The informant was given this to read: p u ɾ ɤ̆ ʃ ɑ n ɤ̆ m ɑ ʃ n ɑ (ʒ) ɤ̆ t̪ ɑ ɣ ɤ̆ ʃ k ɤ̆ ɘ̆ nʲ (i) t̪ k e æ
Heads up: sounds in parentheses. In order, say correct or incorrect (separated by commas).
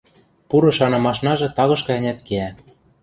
correct, incorrect